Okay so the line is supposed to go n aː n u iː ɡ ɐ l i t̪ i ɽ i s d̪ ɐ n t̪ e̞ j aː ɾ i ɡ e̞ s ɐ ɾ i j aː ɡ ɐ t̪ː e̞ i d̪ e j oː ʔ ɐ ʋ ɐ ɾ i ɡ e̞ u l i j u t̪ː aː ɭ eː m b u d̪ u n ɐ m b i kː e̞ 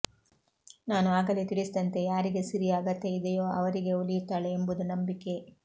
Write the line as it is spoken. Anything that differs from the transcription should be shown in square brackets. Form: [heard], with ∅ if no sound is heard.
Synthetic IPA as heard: n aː n u [aː] ɡ ɐ l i t̪ i ɽ i s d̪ ɐ n t̪ e̞ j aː ɾ i ɡ e̞ s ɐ ɾ i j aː ɡ ɐ t̪ː e̞ i d̪ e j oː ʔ ɐ ʋ ɐ ɾ i ɡ e̞ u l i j u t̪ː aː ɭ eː m b u d̪ u n ɐ m b i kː e̞